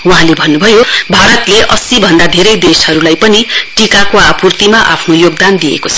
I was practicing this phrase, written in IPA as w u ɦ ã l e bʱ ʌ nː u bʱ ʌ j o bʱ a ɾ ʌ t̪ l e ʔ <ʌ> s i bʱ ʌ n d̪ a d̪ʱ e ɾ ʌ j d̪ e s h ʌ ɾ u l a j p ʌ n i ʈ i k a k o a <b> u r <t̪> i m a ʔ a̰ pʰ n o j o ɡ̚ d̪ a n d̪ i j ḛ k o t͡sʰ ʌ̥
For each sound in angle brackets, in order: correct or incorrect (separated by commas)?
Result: correct, incorrect, correct